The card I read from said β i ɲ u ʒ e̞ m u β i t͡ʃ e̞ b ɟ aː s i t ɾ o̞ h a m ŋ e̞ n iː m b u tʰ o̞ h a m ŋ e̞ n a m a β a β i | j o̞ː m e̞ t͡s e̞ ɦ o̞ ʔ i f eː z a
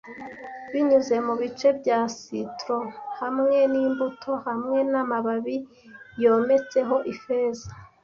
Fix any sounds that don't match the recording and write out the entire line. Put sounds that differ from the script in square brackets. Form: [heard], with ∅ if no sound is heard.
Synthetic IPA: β i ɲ u [z] e̞ m u β i t͡ʃ e̞ b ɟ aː s i t ɾ o̞ h a m ŋ e̞ n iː m b u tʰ o̞ h a m ŋ e̞ n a m a β a β i | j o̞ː m e̞ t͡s e̞ ɦ o̞ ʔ i f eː z a